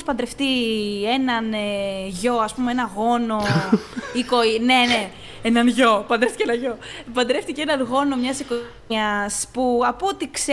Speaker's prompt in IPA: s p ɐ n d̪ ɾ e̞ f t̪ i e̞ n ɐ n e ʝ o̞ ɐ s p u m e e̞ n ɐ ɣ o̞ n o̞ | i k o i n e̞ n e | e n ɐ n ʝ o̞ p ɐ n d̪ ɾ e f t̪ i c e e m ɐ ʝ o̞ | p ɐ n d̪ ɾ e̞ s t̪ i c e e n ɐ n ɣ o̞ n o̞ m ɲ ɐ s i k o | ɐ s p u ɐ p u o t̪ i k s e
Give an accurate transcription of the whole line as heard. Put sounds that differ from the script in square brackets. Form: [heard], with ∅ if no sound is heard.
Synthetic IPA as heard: s p ɐ n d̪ ɾ e̞ f t̪ i e̞ n ɐ n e ʝ o̞ ɐ s p u m e e̞ n ɐ ɣ o̞ n o̞ | i k o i n e̞ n e | e n ɐ n ʝ o̞ p ɐ n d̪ ɾ e f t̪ i c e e [n] ɐ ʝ o̞ | p ɐ n d̪ ɾ e̞ [f] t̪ i c e e n ɐ n ɣ o̞ n o̞ m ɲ ɐ s i k o | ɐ s p u ɐ p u o t̪ i k s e